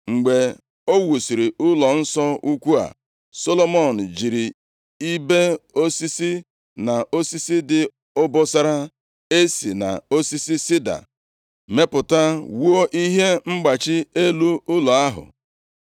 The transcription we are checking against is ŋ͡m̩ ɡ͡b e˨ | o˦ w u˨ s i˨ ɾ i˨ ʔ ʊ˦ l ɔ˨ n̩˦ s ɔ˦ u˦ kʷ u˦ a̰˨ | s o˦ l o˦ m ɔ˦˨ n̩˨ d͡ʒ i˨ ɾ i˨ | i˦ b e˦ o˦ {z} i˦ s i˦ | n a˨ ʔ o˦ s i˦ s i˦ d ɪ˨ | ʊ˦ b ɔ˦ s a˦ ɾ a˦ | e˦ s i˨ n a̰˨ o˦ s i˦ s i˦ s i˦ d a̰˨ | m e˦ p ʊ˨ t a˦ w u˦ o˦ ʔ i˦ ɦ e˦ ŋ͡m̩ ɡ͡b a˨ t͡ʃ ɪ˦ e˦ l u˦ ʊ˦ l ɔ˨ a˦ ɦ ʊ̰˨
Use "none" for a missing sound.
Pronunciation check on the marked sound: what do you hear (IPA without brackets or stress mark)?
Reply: s